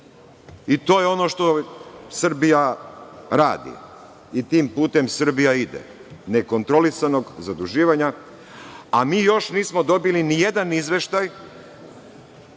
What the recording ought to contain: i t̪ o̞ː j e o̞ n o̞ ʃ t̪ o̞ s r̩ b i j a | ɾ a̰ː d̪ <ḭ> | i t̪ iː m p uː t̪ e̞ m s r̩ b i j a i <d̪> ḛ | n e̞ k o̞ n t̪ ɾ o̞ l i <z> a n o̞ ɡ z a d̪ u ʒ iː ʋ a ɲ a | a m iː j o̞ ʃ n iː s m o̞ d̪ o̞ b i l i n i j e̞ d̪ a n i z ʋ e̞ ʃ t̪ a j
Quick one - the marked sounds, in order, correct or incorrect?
correct, correct, incorrect: s

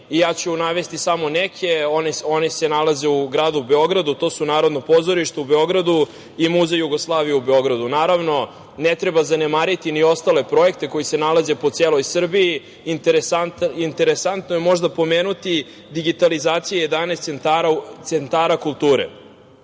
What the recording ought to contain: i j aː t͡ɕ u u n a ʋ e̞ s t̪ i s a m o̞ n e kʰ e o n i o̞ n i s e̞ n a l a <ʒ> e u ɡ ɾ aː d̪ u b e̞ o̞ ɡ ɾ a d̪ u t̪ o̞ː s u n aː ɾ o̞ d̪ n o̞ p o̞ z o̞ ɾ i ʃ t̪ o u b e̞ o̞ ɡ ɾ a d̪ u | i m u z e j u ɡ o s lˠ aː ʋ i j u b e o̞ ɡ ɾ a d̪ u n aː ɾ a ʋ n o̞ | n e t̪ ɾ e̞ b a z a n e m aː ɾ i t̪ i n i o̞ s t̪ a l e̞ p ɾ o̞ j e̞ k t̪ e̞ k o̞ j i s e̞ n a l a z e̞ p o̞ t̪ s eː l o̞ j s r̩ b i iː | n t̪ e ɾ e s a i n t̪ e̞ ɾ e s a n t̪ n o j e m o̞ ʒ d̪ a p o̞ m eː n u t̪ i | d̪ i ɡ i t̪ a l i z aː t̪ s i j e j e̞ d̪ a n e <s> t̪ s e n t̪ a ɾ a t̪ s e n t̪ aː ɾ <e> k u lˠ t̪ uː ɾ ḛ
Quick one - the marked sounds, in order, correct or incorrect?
incorrect: z, correct, incorrect: a

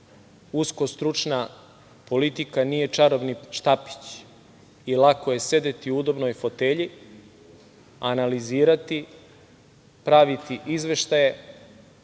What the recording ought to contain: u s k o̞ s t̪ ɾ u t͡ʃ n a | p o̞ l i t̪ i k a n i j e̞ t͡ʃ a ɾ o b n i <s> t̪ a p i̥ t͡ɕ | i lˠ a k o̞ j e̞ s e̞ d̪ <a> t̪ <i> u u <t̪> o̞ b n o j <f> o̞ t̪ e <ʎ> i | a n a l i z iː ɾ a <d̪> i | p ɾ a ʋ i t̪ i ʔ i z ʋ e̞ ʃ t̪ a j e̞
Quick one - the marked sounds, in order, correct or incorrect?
incorrect: ʃ, incorrect: e, correct, incorrect: d̪, correct, correct, incorrect: t̪

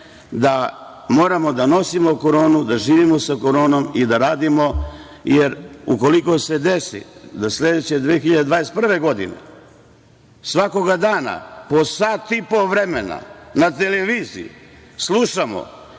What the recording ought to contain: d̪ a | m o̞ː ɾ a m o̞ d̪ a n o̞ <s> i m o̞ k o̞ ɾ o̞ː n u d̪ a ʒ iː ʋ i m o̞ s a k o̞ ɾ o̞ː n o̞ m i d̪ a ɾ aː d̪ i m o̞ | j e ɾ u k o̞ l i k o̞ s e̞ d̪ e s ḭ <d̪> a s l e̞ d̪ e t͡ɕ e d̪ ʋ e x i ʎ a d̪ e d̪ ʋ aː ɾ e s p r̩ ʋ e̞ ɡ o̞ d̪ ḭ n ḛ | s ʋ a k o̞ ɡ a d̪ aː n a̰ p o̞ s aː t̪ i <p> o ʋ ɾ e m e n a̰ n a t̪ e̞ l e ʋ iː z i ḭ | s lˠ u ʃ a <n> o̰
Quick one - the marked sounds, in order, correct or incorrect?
correct, correct, correct, incorrect: m

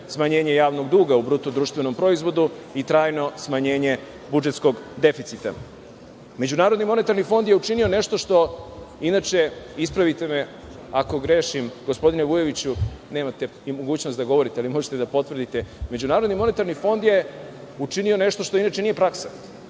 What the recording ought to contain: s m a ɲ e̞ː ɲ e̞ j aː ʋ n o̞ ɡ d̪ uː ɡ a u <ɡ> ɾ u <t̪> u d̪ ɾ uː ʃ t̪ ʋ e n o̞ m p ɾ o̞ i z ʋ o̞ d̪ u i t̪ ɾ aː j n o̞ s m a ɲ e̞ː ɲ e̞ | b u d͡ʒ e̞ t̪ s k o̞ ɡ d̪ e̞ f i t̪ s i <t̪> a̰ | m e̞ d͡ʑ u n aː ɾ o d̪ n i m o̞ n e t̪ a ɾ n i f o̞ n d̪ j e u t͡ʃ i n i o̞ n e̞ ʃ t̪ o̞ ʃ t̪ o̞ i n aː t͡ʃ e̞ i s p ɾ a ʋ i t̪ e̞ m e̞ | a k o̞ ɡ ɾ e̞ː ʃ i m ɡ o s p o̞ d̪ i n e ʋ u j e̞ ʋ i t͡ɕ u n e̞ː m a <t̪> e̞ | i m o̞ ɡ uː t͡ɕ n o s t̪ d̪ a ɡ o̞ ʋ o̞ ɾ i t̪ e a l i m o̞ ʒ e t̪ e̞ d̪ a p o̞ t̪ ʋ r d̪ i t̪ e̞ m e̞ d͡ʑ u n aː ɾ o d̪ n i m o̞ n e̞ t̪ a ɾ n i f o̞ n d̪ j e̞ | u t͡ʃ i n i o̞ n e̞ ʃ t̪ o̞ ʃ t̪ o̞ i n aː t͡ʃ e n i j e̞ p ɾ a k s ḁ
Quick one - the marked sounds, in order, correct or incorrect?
incorrect: b, correct, correct, correct

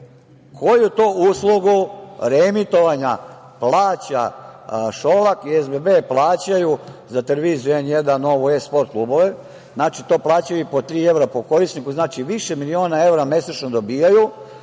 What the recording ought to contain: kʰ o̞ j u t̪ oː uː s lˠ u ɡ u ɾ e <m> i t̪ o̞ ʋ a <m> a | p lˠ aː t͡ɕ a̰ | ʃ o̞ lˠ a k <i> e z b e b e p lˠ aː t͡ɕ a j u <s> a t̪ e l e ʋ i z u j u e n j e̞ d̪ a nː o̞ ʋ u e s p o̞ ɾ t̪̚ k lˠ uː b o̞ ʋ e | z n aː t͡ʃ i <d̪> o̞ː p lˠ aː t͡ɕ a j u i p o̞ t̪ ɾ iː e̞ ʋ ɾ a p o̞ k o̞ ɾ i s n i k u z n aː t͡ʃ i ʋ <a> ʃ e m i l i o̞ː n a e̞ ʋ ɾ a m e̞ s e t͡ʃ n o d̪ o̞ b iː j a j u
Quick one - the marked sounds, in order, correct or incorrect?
correct, incorrect: ɲ, correct, incorrect: z, incorrect: t̪, incorrect: i

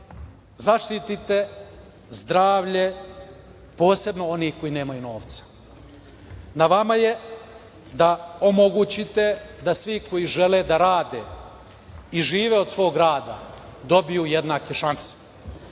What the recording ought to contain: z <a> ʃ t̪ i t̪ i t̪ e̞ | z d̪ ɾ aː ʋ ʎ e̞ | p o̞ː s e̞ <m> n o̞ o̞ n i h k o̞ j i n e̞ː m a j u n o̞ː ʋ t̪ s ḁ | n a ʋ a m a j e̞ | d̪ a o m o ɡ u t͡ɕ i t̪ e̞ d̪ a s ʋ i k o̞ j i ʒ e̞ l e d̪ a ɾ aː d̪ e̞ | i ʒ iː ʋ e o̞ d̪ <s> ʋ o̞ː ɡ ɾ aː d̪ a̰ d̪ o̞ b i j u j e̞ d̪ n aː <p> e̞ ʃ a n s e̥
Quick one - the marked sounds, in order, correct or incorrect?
correct, incorrect: b, correct, incorrect: k

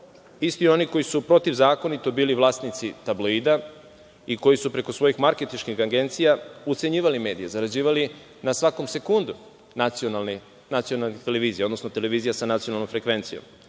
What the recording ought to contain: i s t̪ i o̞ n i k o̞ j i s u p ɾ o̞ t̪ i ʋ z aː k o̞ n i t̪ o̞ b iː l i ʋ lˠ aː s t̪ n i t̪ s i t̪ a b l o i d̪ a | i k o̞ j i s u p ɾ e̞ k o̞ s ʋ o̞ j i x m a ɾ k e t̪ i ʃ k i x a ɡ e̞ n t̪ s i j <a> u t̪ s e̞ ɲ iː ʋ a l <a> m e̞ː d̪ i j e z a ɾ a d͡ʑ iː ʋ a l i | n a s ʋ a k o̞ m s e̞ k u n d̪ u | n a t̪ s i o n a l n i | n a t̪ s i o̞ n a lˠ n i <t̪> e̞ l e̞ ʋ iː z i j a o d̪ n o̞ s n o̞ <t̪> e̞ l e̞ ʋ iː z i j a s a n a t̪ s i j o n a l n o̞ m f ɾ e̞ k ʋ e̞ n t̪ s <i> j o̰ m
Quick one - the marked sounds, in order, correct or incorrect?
correct, incorrect: i, correct, correct, correct

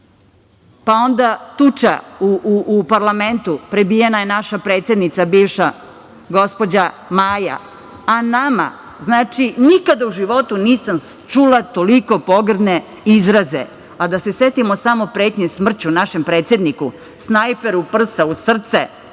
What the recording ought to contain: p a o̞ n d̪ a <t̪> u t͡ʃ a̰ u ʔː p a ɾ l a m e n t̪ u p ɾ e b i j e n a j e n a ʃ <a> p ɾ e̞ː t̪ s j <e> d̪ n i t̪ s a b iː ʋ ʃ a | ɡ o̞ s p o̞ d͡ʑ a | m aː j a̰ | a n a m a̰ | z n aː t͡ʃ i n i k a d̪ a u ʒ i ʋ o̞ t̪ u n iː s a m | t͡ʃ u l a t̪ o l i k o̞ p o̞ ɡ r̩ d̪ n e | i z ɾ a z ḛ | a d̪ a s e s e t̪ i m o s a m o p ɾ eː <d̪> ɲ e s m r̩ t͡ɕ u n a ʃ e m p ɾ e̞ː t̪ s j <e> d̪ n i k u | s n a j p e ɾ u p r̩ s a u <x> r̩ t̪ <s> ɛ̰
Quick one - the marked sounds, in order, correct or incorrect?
correct, correct, correct, incorrect: t̪, correct, incorrect: s, correct

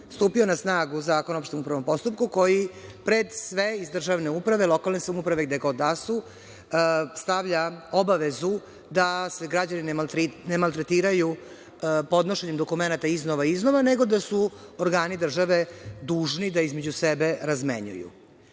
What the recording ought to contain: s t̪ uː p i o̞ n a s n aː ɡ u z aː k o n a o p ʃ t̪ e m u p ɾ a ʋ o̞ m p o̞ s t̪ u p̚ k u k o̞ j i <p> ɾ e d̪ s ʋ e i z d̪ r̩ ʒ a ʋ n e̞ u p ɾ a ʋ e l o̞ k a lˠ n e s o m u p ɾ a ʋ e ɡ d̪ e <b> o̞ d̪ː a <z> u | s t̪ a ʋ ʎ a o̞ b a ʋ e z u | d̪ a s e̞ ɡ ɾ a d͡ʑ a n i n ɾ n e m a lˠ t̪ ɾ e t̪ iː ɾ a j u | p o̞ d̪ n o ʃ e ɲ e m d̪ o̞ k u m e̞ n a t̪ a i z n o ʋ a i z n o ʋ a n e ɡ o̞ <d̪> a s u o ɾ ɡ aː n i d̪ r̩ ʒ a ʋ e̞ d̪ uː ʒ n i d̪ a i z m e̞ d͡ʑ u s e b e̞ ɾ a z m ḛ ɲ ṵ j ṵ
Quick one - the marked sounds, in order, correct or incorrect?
correct, incorrect: ɡ, incorrect: s, correct

